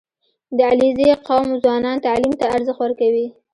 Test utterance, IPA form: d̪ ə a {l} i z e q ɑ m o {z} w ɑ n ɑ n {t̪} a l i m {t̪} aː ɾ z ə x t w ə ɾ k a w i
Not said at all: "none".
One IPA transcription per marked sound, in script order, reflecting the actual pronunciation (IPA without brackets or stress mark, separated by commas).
l, z, t̪, t̪